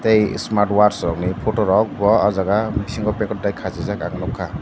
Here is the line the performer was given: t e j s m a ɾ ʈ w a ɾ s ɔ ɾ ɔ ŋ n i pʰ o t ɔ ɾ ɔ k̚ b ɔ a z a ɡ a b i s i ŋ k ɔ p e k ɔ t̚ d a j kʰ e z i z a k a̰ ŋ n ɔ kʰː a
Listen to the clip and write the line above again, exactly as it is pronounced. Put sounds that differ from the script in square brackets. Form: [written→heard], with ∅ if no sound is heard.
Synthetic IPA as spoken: t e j s m a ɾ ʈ w a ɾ s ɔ ɾ ɔ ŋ n i pʰ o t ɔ ɾ ɔ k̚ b ɔ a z a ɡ a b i s i ŋ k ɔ p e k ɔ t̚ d a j kʰ [e→a] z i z a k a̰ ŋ n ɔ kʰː a